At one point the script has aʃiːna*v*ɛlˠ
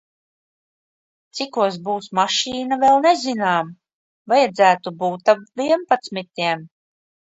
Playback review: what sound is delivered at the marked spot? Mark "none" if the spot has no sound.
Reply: v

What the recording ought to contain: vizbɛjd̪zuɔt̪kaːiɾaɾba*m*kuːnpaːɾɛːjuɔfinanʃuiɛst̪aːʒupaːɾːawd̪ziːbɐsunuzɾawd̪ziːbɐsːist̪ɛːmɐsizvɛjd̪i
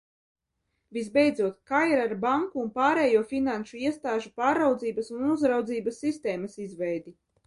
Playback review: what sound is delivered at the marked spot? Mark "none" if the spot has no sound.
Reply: ŋ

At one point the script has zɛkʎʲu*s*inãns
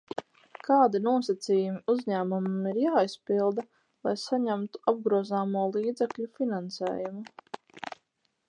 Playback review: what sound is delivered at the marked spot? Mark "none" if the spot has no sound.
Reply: f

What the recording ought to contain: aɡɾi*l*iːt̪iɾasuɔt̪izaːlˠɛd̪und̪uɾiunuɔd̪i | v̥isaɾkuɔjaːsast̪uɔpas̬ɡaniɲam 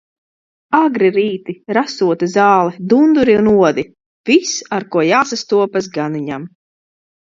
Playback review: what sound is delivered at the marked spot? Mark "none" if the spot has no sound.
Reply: ɾ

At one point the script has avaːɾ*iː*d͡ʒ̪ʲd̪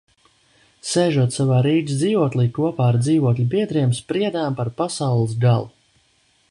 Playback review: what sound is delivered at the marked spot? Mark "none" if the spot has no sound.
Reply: iː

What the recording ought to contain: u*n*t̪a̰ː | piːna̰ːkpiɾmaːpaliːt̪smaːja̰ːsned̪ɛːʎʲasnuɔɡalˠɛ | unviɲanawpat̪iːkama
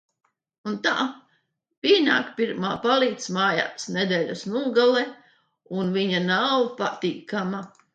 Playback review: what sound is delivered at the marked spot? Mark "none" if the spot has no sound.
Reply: n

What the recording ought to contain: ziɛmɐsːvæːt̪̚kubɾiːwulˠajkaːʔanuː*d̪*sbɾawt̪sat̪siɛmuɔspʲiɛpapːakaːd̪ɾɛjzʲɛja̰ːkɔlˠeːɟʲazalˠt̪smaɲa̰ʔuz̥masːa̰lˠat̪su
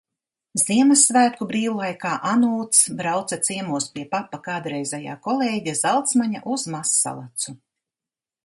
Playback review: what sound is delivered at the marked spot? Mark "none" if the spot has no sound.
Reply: t̪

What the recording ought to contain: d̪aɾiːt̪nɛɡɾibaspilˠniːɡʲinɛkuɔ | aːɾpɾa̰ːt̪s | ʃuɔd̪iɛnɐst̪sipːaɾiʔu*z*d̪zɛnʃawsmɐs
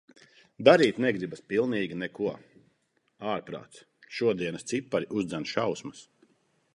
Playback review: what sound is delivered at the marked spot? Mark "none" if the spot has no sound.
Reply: z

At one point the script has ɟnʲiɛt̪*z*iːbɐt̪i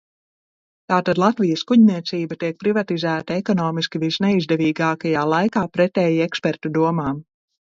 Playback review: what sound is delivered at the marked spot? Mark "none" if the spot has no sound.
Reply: s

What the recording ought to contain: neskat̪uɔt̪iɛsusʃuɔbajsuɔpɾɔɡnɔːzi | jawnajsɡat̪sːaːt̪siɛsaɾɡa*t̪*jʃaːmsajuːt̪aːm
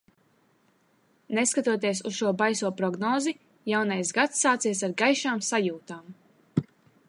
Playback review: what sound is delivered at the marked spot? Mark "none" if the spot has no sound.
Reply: none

